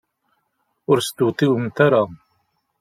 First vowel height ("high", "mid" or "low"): high